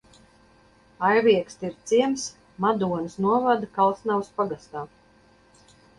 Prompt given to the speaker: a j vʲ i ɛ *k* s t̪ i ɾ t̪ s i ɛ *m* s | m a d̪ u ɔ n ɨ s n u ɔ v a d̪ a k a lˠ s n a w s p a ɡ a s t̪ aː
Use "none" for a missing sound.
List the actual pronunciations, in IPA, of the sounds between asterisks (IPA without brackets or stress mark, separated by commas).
k, m